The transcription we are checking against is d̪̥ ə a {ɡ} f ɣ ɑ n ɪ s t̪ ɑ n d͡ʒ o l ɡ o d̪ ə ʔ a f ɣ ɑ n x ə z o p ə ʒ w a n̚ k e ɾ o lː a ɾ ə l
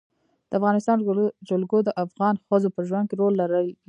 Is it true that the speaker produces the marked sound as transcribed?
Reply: no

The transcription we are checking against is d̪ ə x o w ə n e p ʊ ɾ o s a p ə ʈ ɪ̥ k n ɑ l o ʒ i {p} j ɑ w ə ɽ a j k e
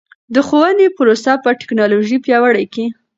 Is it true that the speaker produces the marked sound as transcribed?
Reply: yes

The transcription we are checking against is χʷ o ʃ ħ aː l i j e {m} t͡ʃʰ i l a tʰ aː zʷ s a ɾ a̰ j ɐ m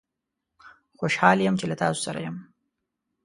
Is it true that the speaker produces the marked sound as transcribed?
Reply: yes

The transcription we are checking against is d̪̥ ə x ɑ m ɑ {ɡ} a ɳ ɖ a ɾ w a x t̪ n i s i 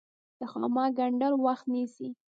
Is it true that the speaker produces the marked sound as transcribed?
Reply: yes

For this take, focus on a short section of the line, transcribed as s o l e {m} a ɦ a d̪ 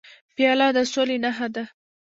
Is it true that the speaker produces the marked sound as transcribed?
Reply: no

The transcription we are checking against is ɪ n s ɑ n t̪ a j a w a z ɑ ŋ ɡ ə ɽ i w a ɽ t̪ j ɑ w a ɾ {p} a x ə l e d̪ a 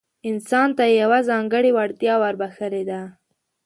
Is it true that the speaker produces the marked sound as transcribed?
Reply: no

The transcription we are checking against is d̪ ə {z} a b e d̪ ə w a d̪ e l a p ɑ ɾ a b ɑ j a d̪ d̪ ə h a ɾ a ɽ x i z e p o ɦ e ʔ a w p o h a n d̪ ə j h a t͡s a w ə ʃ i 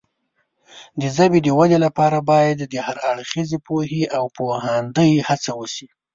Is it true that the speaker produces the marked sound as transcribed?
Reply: yes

